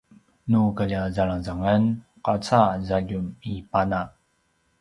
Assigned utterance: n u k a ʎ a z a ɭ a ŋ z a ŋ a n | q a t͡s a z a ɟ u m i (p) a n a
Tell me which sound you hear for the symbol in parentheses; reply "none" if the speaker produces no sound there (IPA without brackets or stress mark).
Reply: p